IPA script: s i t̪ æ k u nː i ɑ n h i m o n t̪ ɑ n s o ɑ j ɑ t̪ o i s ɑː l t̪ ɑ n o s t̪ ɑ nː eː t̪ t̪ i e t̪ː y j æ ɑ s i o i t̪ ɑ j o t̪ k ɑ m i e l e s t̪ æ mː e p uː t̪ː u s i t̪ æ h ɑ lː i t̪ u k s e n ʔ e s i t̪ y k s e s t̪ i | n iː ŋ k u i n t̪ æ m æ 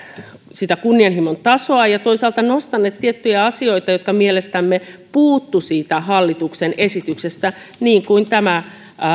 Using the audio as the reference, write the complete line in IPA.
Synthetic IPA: s i t̪ æ k u nː i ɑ n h i m o n t̪ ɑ s o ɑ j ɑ t̪ o i s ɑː l t̪ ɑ n o s t̪ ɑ nː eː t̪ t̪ i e t̪ː y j æ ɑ s i o i t̪ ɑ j o t̪ k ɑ m i e l e s t̪ æ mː e p uː t̪ː u s iː t̪ æ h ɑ lː i t̪ u k s e n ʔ e s i t̪ y k s e s t̪ æ | n iː ŋ k u i n t̪ æ m æ

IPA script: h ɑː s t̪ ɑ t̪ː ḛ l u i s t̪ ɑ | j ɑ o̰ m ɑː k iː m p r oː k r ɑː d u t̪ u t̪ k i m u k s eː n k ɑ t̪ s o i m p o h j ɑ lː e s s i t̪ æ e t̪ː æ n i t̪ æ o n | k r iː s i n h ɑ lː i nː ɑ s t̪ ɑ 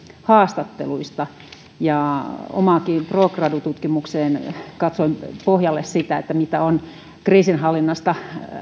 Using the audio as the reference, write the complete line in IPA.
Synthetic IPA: h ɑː s t̪ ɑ t̪ː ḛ l u i s t̪ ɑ | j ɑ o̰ m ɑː k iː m p r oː k r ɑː d u t̪ u t̪ k i m u k s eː n k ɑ t̪ s o i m p o h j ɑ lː e s s i t̪ æ e t̪ː æ m i t̪ æ o n | k r iː s i n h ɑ lː i nː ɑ s t̪ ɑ

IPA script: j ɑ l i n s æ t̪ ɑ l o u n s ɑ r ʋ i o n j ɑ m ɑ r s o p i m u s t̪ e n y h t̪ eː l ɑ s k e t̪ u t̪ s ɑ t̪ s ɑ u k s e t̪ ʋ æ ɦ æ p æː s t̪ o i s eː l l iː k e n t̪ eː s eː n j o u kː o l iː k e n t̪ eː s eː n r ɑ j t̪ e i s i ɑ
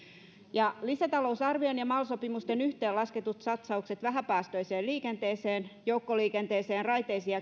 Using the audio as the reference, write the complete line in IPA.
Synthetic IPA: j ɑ l i s æ t̪ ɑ l o u s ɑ r ʋ i o n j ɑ m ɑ l s o p i m u s t̪ e n y h t̪ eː l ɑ s k e t̪ u t̪ s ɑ t̪ s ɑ u k s e t̪ ʋ æ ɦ æ p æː s t̪ o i s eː l l iː k e n t̪ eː s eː n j o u kː o l iː k e n t̪ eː s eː n r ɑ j t̪ e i s i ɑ

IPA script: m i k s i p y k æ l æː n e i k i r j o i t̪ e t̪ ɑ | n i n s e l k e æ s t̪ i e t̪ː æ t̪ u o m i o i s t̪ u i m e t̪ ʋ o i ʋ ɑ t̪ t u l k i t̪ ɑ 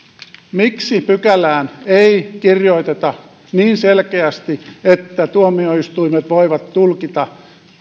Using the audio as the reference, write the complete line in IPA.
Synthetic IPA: m i k s i p y k æ l æː n e i k i r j o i t̪ e t̪ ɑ | n iː n s e l k e æ s t̪ i e t̪ː æ t̪ u o m i o i s t̪ u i m e t̪ ʋ o i ʋ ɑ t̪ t u l k i t̪ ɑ

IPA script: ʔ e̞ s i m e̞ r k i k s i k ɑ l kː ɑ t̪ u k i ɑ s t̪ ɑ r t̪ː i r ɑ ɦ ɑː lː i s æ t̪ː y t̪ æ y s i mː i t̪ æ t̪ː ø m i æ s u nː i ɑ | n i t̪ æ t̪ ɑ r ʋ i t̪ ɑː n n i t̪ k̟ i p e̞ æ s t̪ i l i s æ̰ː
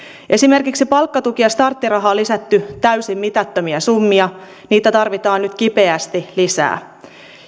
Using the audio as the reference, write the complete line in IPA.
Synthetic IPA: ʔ e̞ s i m e̞ r k i k s i p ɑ l kː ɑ t̪ u k i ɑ s t̪ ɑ r t̪ː i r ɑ ɦ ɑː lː i s æ t̪ː y t̪ æ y s i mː i t̪ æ t̪ː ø m i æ s u mː i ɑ | n iː t̪ æ t̪ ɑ r ʋ i t̪ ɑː n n y t̪ k̟ i p e̞ æ s t̪ i l i s æ̰ː

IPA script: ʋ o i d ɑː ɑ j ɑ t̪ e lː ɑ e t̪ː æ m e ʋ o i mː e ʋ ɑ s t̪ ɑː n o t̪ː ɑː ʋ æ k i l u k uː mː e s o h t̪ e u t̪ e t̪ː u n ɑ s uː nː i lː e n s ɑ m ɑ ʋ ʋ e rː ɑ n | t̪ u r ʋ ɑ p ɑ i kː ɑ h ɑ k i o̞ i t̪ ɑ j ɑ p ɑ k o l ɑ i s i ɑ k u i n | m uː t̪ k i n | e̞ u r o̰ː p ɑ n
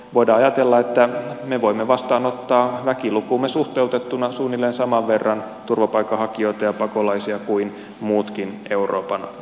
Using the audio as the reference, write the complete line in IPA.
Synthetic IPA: ʋ o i d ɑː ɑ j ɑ t̪ e lː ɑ e t̪ː æ m e ʋ o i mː e ʋ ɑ s t̪ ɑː n o t̪ː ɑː ʋ æ k i l u k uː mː e s u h t̪ e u t̪ e t̪ː u n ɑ s uː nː i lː e n s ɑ m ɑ ʋ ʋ e rː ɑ n | t̪ u r ʋ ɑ p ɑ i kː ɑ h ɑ k i o̞ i t̪ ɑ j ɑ p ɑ k o l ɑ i s i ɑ k u i n | m uː t̪ k i n | e̞ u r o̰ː p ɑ n

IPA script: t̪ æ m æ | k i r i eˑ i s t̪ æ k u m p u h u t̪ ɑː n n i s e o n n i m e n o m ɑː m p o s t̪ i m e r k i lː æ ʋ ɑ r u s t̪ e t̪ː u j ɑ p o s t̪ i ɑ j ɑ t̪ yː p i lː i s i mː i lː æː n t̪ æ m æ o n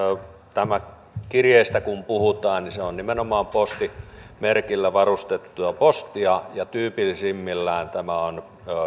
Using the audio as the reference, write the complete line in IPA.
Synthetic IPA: t̪ æ m æ | k i r j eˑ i s t̪ æ k u m p u h u t̪ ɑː n n i s e o n n i m e n o m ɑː m p o s t̪ i m e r k i lː æ ʋ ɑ r u s t̪ e t̪ː u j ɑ p o s t̪ i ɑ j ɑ t̪ yː p i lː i s i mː i lː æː n t̪ æ m æ o n

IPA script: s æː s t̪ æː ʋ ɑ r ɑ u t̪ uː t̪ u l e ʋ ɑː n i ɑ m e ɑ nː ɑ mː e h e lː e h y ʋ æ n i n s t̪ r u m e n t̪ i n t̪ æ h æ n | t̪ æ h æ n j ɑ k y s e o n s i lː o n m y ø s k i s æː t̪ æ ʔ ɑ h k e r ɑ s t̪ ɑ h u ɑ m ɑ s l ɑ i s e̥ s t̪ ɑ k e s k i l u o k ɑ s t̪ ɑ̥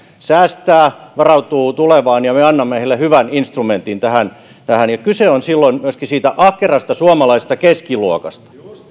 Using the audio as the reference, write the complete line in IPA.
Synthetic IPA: s æː s t̪ æː ʋ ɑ r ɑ u t̪ uː t̪ u l e ʋ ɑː n j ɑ m e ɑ nː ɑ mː e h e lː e h y ʋ æ n i n s t̪ r u m e n t̪ i n t̪ æ h æ n | t̪ æ h æ n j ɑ k y s e o n s i lː o n m y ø s k i s iː t̪ æ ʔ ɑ h k e r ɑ s t̪ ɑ s u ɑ m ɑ l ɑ i s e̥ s t̪ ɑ k e s k i l u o k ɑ s t̪ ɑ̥

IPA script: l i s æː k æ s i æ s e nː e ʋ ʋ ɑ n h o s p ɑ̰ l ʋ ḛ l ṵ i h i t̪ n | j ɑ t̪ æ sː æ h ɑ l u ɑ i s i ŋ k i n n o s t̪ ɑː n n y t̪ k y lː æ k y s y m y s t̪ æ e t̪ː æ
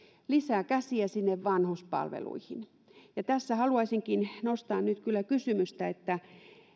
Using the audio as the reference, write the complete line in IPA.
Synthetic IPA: l i s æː k æ s i æ s i nː e ʋ ʋ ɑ n h o s p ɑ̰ l ʋ ḛ l ṵ i h i n | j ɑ t̪ æ sː æ h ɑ l u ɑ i s i ŋ k i n n o s t̪ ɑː n n y t̪ k y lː æ k y s y m y s t̪ æ e t̪ː æ

